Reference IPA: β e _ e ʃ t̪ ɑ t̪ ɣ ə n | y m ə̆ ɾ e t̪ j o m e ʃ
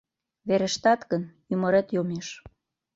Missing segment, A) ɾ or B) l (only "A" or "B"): A